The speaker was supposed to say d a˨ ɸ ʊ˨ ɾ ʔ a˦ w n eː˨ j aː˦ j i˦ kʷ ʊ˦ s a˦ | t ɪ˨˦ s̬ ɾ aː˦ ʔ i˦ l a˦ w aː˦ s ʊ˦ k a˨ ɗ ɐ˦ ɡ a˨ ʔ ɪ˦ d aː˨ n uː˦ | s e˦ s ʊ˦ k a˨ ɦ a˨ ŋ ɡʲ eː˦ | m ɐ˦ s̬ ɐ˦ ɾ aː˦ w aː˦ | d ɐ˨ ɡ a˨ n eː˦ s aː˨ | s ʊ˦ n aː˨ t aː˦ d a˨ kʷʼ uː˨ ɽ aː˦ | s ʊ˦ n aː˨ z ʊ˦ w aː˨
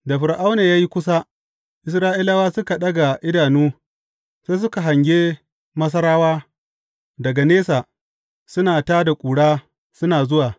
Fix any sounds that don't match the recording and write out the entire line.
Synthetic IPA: d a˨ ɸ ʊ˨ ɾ ʔ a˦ w n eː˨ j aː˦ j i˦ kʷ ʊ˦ s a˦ | ʔ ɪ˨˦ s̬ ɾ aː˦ ʔ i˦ l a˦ w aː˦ s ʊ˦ k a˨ ɗ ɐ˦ ɡ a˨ ʔ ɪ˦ d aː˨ n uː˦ | s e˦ s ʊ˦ k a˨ ɦ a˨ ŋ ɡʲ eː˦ | m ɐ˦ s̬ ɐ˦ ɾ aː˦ w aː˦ | d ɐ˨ ɡ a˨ n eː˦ s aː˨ | s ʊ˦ n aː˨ t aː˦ d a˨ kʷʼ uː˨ ɽ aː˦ | s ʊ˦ n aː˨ z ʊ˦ w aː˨

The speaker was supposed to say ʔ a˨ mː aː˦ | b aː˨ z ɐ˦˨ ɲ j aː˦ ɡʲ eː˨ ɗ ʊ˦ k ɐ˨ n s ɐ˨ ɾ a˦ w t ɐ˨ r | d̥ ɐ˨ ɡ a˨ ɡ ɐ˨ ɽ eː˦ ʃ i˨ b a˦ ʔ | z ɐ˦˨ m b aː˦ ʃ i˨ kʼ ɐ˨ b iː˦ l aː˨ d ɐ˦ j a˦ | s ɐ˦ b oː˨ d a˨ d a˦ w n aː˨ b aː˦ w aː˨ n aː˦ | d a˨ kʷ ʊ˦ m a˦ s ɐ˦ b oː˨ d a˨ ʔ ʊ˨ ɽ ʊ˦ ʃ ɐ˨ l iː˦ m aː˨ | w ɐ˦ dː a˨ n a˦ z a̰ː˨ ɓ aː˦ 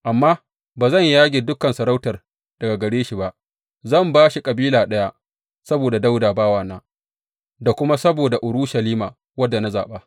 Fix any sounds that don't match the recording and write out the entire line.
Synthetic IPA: ʔ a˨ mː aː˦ | b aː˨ z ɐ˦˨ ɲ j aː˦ ɡʲ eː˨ d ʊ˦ k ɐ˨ n s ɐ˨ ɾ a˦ w t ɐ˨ r | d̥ ɐ˨ ɡ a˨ ɡ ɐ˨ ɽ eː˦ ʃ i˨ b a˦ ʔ | z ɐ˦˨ m b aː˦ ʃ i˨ kʼ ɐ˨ b iː˦ l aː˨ ɗ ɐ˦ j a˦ | s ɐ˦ b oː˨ d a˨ d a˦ w d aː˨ b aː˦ w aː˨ n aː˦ | d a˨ kʷ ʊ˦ m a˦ s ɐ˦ b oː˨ d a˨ ʔ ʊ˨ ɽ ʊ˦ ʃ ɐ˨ l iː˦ m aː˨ | w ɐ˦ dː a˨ n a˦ z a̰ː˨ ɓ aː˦

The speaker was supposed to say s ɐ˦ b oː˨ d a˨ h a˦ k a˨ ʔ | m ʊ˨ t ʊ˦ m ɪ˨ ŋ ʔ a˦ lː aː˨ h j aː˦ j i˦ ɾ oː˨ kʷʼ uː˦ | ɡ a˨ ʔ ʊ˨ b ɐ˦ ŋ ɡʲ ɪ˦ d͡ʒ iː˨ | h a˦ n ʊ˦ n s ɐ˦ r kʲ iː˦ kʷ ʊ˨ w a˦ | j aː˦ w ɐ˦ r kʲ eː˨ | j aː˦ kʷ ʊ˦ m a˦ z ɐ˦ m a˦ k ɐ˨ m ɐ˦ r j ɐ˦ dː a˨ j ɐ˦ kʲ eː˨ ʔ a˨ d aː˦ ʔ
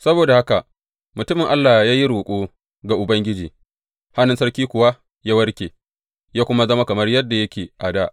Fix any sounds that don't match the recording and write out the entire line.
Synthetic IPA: s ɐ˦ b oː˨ d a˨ h a˦ k a˨ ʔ | m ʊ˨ t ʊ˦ m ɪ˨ ŋ ʔ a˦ lː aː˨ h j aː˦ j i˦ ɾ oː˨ kʷʼ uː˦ | ɡ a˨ ʔ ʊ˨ b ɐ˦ ŋ ɡʲ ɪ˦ d͡ʒ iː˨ | h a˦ n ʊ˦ n s ɐ˦ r kʲ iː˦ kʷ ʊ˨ w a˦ | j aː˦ w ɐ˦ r kʲ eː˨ | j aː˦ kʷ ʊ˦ m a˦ z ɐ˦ m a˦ k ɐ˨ m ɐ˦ r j ɐ˦ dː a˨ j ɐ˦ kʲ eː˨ ʔ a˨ d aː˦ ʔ

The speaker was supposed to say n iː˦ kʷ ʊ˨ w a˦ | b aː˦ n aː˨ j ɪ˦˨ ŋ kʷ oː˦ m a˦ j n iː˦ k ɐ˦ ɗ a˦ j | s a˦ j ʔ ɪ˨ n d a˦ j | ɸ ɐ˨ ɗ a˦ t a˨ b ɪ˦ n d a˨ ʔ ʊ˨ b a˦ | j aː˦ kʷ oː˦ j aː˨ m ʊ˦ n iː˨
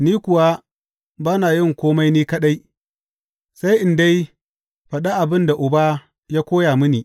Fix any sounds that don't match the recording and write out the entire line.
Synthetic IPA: n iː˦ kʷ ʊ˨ w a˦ | b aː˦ n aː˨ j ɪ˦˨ ŋ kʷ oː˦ m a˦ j n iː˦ k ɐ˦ ɗ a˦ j | s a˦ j ʔ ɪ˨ n d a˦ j | ɸ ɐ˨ ɗ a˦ ʔ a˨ b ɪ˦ n d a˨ ʔ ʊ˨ b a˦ | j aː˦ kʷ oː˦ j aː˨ m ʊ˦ n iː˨

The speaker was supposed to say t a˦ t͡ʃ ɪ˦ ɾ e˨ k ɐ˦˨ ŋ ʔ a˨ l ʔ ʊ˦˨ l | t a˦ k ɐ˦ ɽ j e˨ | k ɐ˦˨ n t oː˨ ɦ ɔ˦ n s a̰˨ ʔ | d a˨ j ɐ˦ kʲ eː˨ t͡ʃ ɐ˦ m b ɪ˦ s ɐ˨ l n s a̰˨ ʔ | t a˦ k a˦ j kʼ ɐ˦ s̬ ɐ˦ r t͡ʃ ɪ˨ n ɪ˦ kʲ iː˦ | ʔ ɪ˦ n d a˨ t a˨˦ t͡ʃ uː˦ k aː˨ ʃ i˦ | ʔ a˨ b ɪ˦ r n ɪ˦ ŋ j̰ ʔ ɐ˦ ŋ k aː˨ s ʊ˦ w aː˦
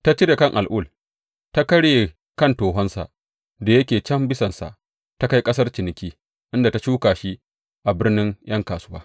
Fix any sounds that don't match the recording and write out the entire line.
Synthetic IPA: t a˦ t͡ʃ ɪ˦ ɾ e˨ k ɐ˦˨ ŋ ʔ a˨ l ʔ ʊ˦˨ l | t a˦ k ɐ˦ ɽ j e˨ | k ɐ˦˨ n t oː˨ ɦ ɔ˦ n s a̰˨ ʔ | d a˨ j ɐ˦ kʲ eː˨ t͡ʃ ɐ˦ m b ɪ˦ s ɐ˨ n s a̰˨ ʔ | t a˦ k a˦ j kʼ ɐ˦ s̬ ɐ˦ r t͡ʃ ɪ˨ n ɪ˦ kʲ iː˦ | ʔ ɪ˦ n d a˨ t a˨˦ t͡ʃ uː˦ k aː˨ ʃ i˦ | ʔ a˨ b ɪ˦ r n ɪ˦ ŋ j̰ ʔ ɐ˦ ŋ k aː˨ s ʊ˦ w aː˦

